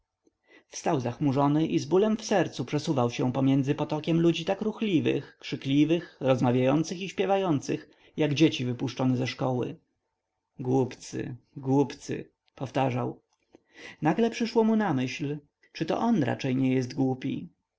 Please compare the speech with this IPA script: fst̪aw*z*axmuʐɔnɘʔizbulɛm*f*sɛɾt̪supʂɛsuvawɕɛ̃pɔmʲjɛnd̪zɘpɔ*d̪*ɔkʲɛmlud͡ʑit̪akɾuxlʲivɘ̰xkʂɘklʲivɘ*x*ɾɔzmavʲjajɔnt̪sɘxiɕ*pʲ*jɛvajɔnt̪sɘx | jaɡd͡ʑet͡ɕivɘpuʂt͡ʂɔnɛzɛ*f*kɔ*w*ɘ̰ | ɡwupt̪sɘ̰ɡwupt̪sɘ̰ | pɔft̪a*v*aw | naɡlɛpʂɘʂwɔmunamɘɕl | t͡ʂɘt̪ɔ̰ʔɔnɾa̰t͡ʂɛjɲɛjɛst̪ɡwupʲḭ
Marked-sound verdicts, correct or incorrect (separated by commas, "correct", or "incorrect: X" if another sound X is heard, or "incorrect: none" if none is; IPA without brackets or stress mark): correct, correct, incorrect: t̪, correct, correct, incorrect: ʂ, correct, incorrect: ʐ